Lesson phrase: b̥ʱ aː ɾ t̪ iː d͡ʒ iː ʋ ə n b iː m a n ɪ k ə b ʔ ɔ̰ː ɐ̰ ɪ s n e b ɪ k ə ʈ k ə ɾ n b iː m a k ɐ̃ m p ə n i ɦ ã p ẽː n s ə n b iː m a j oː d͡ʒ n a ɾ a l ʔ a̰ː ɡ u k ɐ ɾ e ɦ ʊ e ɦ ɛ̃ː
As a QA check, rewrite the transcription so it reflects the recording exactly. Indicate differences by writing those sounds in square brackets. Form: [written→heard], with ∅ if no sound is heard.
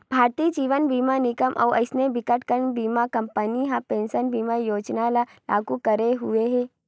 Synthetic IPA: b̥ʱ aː ɾ t̪ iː d͡ʒ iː ʋ ə n b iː m a n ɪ k ə [b→m] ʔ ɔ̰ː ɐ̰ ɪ s n e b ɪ k ə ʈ k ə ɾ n b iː m a k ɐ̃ m p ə n i ɦ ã p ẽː n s ə n b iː m a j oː d͡ʒ n a [ɾ→l] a l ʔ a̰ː ɡ u k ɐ ɾ e ɦ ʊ e ɦ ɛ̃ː